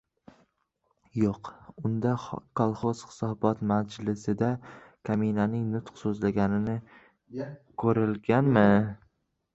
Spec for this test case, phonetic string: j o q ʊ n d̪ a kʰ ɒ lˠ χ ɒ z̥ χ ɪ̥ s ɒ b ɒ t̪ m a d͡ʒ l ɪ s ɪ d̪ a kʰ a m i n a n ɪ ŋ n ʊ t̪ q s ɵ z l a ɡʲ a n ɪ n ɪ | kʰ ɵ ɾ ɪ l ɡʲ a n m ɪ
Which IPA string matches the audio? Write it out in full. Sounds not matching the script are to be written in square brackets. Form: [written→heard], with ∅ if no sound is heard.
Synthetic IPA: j o q ʊ n d̪ a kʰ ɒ lˠ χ [ɒ→o] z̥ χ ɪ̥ s ɒ b ɒ t̪ m a d͡ʒ l ɪ s ɪ d̪ a kʰ a m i n a n ɪ ŋ n ʊ t̪ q s ɵ z l a ɡʲ a n ɪ n ɪ | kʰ ɵ ɾ ɪ l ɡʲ a n m ɪ